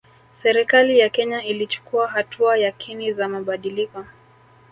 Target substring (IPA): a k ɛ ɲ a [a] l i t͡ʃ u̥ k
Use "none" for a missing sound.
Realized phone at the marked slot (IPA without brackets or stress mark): i